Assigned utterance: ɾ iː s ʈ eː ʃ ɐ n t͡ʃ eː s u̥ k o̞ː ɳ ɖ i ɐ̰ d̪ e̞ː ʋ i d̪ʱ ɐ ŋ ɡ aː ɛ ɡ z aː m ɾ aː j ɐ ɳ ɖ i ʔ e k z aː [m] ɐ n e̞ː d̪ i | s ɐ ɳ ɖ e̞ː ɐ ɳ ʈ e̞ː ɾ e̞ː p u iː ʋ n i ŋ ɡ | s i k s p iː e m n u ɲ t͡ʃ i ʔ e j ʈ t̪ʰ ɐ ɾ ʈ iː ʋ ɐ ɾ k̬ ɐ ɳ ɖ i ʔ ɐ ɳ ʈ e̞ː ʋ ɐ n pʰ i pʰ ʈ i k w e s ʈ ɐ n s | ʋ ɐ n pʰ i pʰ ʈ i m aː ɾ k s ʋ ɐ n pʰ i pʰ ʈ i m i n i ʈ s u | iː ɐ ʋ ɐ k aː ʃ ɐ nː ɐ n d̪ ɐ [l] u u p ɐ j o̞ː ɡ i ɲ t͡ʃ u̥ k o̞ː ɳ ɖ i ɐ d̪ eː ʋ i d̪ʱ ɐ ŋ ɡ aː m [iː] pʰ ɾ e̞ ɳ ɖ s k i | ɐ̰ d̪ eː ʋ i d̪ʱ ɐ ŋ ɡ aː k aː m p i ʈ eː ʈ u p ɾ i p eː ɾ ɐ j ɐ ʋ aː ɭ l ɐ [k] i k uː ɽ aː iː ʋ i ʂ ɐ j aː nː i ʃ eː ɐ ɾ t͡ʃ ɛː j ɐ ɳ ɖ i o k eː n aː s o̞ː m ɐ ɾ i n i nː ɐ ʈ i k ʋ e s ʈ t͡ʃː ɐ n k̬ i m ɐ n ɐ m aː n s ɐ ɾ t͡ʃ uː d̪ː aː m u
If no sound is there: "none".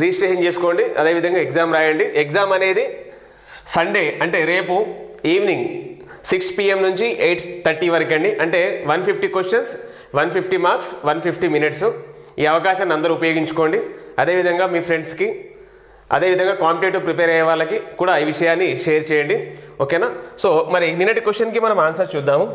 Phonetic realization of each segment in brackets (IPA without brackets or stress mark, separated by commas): m, ɾ, iː, k